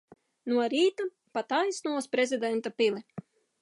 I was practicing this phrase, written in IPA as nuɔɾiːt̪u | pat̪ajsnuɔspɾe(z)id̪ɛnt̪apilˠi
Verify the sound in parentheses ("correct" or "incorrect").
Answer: correct